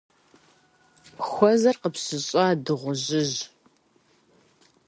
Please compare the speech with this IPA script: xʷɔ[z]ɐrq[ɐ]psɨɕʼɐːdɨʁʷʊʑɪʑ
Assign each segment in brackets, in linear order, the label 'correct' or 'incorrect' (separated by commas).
correct, incorrect